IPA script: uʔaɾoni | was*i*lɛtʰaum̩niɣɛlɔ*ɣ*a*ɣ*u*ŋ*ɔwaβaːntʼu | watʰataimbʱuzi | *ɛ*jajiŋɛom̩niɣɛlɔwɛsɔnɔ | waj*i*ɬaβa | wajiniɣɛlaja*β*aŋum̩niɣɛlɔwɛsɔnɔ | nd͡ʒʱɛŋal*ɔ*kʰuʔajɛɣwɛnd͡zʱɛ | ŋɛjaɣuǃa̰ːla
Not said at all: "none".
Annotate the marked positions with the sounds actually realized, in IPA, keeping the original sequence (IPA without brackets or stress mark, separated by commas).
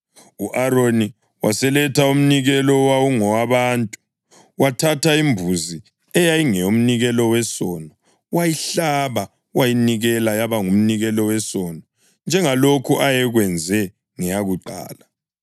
ɛ, w, w, ŋ, ɛ, i, β, o